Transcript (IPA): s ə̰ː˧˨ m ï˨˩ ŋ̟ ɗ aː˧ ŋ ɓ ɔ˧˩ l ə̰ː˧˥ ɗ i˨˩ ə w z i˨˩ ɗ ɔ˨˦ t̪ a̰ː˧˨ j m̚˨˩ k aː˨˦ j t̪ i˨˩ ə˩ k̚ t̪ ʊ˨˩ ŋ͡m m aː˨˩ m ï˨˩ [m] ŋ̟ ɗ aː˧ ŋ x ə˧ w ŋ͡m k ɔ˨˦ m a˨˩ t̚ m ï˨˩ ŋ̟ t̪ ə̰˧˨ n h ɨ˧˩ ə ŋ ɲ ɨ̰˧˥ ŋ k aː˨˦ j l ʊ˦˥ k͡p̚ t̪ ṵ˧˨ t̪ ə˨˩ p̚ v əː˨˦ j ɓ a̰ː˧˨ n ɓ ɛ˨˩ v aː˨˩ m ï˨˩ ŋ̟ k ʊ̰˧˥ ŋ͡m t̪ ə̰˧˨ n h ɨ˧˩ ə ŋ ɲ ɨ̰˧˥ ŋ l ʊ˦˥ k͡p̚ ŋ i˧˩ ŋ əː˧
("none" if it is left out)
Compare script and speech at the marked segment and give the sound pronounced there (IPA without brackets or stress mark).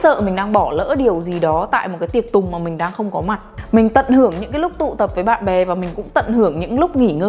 none